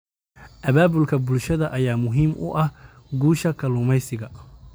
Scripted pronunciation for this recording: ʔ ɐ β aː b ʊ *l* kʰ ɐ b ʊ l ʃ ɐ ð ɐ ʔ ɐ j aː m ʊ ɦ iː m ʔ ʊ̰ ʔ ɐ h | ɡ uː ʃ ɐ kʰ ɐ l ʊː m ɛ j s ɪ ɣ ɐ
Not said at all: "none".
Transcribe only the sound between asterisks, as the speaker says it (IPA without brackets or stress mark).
l